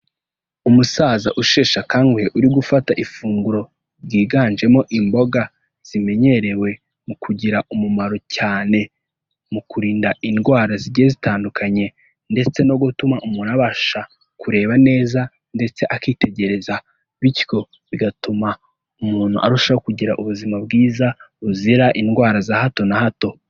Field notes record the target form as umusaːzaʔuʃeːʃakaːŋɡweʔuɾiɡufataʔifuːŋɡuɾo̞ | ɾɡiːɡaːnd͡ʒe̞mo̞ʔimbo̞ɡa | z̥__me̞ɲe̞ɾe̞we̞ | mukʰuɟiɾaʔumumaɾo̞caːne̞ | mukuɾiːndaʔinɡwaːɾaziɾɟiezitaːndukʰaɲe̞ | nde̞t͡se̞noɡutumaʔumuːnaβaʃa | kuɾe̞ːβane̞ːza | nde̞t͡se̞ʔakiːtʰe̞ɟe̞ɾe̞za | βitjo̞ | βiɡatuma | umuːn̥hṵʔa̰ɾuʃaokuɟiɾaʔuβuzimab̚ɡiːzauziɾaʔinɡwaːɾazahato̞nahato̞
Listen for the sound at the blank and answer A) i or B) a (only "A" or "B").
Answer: A